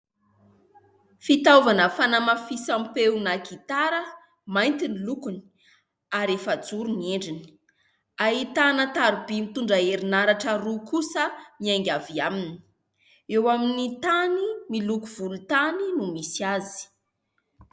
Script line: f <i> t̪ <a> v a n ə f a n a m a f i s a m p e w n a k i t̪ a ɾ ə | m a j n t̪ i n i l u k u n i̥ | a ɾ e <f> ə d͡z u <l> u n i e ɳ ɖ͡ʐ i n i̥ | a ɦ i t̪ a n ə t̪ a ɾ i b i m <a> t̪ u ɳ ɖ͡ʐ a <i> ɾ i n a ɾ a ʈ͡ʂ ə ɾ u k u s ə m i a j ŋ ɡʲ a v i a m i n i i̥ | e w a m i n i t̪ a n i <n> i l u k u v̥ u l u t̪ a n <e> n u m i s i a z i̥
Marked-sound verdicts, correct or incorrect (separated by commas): correct, correct, correct, incorrect, incorrect, incorrect, incorrect, incorrect